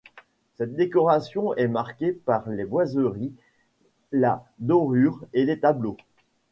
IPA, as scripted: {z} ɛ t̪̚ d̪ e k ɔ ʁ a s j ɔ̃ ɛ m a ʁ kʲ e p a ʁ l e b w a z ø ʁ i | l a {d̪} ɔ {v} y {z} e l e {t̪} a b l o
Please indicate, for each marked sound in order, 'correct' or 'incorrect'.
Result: incorrect, correct, incorrect, incorrect, correct

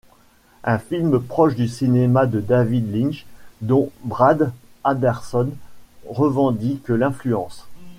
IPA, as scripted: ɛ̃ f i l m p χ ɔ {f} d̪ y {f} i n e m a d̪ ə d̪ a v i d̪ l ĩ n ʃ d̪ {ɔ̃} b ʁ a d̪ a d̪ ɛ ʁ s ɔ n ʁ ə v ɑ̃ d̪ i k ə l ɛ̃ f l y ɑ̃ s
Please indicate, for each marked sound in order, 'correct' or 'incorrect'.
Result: incorrect, incorrect, correct

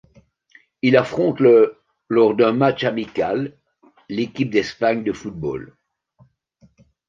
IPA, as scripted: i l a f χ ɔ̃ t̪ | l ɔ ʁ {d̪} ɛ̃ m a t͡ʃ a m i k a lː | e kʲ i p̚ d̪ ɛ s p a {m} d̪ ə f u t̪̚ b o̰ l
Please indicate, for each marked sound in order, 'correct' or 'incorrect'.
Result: correct, incorrect

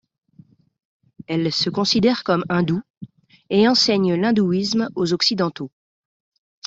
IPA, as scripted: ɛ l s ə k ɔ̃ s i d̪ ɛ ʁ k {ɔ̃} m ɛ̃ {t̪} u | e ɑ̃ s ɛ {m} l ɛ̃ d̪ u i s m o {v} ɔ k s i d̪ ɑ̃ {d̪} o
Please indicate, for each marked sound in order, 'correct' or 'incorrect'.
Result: incorrect, incorrect, incorrect, incorrect, incorrect

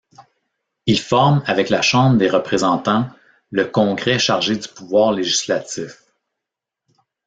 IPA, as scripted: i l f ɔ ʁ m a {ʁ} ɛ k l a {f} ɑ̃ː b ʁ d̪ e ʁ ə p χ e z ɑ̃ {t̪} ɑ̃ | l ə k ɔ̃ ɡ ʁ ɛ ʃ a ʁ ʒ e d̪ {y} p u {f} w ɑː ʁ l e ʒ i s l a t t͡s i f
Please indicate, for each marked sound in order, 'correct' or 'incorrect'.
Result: incorrect, incorrect, correct, correct, incorrect

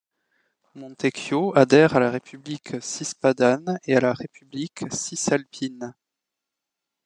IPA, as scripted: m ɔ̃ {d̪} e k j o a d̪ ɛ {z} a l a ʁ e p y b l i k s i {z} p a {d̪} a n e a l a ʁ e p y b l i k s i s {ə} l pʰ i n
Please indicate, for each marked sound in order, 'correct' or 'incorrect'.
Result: incorrect, incorrect, incorrect, correct, incorrect

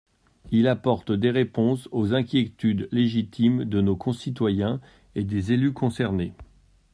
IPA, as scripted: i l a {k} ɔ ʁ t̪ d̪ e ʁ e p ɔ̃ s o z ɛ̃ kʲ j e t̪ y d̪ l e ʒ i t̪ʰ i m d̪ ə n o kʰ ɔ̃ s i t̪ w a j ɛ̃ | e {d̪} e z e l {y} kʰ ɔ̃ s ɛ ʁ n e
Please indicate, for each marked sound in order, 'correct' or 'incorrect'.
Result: incorrect, correct, correct

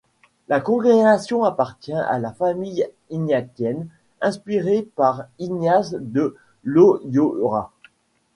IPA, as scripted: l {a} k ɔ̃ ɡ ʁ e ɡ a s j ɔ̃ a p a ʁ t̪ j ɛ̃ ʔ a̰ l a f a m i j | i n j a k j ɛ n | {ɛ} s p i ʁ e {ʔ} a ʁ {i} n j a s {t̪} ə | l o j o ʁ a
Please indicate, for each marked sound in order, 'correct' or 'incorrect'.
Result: correct, incorrect, incorrect, correct, incorrect

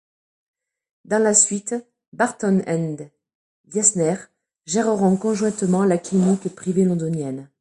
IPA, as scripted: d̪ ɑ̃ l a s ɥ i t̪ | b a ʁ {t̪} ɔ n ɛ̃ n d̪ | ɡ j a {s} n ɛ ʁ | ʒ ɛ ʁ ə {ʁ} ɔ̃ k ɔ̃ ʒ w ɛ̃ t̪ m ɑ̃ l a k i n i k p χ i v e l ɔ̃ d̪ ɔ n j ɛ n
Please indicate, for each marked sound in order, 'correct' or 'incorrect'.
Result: correct, correct, correct

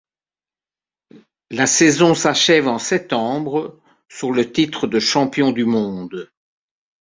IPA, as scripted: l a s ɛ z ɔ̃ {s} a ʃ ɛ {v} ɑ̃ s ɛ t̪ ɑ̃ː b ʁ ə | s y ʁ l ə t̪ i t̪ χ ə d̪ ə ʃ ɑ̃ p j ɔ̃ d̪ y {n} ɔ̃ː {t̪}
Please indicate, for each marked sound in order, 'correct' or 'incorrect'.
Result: correct, correct, incorrect, incorrect

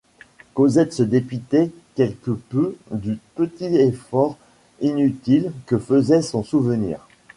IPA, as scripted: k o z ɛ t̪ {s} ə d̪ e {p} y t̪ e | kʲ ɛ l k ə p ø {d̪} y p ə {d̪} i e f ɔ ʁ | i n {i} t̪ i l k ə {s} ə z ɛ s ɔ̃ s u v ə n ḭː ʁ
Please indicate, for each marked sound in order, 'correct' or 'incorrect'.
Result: correct, correct, correct, incorrect, incorrect, incorrect

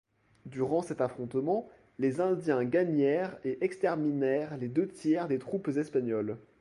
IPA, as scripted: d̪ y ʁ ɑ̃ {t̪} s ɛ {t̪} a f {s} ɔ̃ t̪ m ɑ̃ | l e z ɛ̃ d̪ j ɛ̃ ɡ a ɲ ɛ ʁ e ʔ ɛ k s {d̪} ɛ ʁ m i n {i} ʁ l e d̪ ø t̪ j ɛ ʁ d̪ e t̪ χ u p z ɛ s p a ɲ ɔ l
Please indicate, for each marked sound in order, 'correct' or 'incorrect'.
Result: incorrect, correct, incorrect, incorrect, incorrect

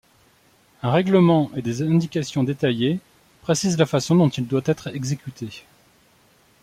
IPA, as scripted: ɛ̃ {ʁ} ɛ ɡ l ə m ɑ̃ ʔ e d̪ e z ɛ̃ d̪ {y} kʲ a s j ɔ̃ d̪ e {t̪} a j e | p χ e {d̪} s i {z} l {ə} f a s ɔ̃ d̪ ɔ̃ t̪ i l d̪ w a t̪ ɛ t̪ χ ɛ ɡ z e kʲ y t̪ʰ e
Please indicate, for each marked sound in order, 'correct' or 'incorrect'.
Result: correct, incorrect, correct, incorrect, correct, incorrect

